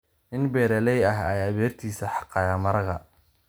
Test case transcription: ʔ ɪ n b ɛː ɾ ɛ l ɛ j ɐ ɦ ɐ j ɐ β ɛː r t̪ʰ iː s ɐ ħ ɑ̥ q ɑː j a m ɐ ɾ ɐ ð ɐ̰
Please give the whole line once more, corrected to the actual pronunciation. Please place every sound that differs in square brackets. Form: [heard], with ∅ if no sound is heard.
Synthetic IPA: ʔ ɪ n b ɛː ɾ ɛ l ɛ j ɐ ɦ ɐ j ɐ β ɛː r t̪ʰ iː s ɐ ħ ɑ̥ q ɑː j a m ɐ ɾ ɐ [ɣ] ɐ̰